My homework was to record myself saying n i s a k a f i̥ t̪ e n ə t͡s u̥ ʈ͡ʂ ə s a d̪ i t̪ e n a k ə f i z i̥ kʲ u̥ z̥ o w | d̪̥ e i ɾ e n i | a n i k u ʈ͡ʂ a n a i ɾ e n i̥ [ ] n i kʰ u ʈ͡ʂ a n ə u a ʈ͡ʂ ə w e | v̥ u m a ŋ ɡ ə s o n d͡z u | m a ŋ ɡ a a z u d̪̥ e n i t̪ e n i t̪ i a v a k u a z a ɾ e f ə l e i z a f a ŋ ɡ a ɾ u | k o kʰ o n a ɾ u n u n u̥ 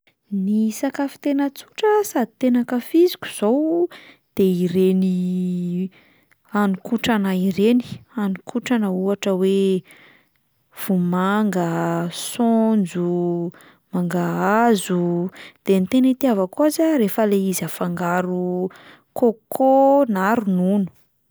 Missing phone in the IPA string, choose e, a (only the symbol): a